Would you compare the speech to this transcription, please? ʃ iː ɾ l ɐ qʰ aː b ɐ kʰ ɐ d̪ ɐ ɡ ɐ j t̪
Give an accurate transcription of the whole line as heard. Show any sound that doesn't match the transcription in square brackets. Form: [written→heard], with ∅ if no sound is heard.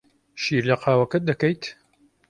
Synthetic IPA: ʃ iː ɾ l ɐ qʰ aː [b→w] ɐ [kʰ→k] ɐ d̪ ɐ [ɡ→k] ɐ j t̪